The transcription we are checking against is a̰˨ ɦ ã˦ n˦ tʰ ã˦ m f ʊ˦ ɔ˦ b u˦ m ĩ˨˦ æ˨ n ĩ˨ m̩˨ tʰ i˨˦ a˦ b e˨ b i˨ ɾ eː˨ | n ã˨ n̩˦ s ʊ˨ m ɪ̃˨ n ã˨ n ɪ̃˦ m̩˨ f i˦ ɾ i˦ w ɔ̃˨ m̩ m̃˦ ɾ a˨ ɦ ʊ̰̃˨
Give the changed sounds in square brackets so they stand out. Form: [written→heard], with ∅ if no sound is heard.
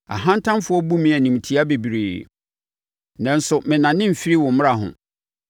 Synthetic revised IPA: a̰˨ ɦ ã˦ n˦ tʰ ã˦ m f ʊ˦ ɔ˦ b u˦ m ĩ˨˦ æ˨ n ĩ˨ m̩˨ tʰ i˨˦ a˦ b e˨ b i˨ ɾ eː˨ | n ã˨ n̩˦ s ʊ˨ m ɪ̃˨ n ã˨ n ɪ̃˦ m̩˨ f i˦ ɾ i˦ w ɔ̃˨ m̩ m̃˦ ɾ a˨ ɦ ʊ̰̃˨